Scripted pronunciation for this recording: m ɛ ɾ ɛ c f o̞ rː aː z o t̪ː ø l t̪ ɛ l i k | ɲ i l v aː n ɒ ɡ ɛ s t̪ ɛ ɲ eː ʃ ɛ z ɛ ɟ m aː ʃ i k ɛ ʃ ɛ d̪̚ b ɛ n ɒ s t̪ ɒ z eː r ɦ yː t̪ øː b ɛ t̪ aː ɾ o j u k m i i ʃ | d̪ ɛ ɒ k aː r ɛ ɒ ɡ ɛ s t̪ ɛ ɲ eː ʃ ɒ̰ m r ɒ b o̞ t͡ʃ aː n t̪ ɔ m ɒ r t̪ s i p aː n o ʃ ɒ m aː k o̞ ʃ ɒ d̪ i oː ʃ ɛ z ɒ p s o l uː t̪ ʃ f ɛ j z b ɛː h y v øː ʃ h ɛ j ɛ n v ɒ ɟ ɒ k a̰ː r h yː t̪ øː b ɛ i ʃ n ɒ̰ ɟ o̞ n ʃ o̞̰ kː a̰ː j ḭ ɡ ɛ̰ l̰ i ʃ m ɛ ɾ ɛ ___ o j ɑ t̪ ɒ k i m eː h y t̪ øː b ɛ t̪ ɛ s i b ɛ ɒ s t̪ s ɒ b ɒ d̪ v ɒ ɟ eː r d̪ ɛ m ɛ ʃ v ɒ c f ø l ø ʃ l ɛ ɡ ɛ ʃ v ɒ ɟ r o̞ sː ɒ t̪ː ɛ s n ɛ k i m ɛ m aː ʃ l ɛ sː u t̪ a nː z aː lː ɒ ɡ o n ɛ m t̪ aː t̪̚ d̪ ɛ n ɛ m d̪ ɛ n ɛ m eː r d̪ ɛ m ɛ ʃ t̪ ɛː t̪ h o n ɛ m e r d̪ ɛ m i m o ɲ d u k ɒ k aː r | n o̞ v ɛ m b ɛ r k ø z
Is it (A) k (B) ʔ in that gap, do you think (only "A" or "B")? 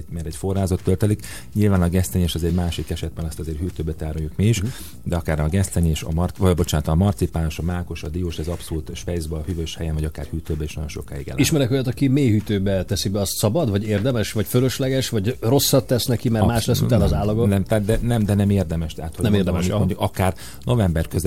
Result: A